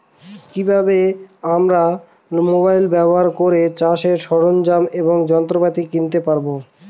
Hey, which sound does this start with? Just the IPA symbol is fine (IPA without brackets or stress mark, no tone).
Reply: k